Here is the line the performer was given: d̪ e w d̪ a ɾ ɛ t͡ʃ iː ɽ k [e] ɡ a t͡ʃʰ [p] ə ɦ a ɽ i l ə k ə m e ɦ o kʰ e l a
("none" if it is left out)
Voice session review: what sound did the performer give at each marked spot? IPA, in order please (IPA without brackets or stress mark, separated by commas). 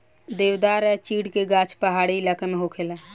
e, p